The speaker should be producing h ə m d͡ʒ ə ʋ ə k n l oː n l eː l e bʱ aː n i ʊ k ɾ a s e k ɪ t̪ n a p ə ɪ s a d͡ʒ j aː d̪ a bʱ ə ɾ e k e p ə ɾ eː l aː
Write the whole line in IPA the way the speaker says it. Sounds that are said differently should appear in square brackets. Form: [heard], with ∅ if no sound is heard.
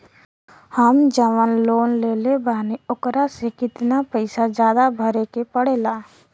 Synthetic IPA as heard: h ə m d͡ʒ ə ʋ ə [∅] n l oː n l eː l e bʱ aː n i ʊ k ɾ a s e k ɪ t̪ n a p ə ɪ s a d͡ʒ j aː d̪ a bʱ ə ɾ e k e p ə [ɽ] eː l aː